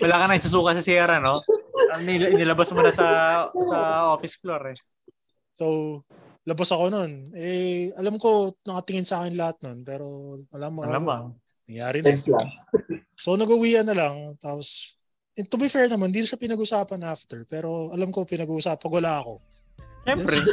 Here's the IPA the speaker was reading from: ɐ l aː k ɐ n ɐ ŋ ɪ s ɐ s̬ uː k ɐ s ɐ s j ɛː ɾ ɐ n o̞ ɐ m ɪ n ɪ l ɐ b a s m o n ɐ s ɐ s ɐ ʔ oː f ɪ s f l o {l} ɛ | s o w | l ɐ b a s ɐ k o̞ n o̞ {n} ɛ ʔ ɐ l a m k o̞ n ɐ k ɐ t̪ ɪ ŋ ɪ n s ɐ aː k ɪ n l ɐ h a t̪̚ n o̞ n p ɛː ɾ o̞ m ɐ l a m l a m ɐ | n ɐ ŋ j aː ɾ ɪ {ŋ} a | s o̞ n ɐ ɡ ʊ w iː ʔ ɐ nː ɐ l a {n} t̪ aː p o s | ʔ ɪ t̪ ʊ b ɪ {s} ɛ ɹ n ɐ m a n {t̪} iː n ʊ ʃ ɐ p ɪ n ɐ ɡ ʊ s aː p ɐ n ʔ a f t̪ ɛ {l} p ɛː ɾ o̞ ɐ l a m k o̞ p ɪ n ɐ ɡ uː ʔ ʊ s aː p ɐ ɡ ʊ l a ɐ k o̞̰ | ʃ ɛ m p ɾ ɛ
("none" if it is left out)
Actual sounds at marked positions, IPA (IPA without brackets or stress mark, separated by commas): ɾ, n, n, ŋ, f, d̪, ɹ